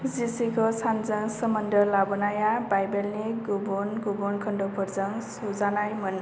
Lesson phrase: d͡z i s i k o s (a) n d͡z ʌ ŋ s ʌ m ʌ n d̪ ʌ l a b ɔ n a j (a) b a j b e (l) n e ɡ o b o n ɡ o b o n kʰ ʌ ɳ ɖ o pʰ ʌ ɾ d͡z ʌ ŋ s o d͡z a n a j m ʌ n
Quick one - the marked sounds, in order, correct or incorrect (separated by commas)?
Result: correct, correct, correct